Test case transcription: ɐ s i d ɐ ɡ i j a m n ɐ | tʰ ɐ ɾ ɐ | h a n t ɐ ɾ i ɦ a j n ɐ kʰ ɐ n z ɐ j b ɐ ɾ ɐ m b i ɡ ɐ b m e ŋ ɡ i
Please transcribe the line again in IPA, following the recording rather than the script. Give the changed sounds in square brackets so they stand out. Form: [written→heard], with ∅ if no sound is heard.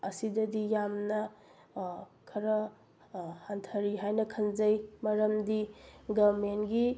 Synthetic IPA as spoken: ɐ s i d ɐ [ɡ→d] i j a m n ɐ | [tʰ→kʰ] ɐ ɾ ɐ | h a n [t→tʰ] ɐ ɾ i ɦ a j n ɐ kʰ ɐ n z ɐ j [b→m] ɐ ɾ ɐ m [b→d] i ɡ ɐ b m e [ŋ→n] ɡ i